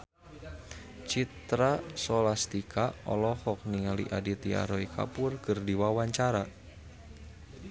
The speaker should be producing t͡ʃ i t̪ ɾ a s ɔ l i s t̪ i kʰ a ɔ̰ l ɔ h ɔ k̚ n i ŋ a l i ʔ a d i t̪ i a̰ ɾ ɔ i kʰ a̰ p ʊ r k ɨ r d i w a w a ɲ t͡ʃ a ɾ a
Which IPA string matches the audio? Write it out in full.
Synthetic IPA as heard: t͡ʃ i t̪ ɾ a s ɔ l a s t̪ i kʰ a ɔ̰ l ɔ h ɔ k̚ n i ŋ a l i ʔ a d i t̪ i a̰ ɾ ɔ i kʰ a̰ p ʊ r k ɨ r d i w a w a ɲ t͡ʃ a ɾ a